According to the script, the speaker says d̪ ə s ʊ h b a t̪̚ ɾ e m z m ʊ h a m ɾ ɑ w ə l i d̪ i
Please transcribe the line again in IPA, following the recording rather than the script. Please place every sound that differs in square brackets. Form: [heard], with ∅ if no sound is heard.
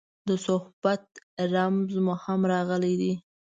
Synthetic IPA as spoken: d̪ ə s ʊ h b a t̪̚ ɾ [a] m z m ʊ h a m ɾ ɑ [ɣ] ə l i d̪ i